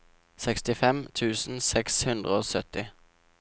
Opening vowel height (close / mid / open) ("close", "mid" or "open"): mid